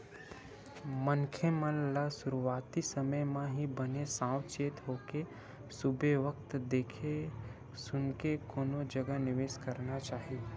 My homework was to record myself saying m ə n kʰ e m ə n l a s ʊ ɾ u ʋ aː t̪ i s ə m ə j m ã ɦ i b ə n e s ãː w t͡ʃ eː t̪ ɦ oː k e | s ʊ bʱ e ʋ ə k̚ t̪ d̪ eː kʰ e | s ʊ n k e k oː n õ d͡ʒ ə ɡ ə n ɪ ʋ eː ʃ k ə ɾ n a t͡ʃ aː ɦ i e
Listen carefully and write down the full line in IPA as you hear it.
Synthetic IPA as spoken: m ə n kʰ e m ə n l a s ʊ ɾ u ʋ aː t̪ i s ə m ə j m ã ɦ i b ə n e s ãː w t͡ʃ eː t̪ ɦ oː k e | s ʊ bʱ e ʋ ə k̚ t̪ d̪ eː kʰ e | s ʊ n k e k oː n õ d͡ʒ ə ɡ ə n ɪ ʋ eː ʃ k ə ɾ n a t͡ʃ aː ɦ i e